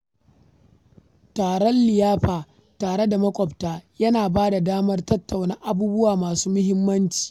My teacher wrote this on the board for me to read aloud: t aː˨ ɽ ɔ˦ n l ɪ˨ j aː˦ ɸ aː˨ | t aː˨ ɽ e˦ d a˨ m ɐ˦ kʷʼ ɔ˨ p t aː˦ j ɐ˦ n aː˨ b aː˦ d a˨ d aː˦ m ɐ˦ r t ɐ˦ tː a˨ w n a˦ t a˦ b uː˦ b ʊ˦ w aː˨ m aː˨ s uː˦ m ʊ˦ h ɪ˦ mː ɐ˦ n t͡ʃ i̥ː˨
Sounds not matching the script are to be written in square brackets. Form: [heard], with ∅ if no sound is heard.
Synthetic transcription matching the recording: t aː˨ ɽ ɔ˦ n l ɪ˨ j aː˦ ɸ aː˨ | t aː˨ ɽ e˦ d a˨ m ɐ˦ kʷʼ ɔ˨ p t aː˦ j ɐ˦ n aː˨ b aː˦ d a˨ d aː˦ m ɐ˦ r t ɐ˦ tː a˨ w n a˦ [ʔ] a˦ b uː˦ b ʊ˦ w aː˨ m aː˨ s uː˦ m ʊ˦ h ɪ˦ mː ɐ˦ n t͡ʃ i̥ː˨